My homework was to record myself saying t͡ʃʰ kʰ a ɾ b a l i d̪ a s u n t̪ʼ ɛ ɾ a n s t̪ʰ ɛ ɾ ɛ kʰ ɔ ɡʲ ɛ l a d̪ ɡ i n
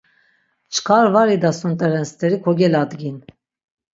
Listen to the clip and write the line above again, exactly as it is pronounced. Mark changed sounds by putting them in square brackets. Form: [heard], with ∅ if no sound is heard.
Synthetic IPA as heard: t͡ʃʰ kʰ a ɾ [v] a [ɾ] i d̪ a s u n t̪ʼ ɛ ɾ [ɛ] n s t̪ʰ ɛ ɾ [i] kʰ ɔ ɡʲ ɛ l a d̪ ɡ i n